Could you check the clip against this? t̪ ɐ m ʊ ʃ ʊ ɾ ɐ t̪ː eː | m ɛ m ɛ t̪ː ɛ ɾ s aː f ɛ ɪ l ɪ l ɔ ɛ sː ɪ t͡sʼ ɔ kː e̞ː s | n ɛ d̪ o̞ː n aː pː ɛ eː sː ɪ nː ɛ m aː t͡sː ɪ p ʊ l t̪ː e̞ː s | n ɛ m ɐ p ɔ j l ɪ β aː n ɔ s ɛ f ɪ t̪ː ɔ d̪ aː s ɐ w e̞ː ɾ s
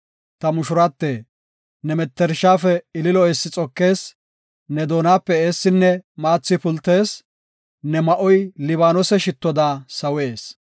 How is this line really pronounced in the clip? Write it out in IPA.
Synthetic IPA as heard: t̪ ɐ m ʊ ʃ ʊ ɾ ɐ t̪ː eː | n ɛ m ɛ t̪ː ɛ ɾ ʃ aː f ɛ ɪ l ɪ l ɔ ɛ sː ɪ t͡sʼ ɔ kː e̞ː s | n ɛ d̪ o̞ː n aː pː ɛ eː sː ɪ nː ɛ m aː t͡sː ɪ p ʊ l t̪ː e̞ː s | n ɛ m ɐ ʔ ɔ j l ɪ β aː n ɔ s ɛ ʃ ɪ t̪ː ɔ d̪ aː s ɐ w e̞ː s